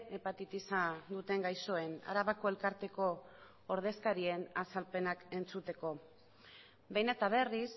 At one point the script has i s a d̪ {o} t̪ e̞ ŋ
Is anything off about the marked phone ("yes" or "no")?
yes